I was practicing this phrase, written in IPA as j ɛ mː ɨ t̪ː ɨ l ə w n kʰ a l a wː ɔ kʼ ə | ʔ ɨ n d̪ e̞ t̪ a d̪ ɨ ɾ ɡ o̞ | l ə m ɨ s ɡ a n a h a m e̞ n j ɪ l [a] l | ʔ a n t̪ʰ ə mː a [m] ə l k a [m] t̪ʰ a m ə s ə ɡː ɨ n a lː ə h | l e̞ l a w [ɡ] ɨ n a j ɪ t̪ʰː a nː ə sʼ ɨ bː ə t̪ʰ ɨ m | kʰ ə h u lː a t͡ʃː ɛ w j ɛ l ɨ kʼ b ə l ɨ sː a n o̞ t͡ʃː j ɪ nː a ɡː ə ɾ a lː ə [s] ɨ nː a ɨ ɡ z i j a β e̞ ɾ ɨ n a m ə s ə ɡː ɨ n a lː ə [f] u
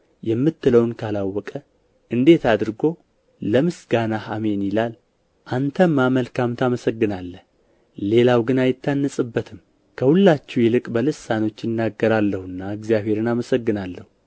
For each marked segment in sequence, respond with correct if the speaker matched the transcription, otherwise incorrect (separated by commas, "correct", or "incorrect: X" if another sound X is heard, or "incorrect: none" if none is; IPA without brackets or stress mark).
correct, correct, correct, correct, incorrect: h, incorrect: h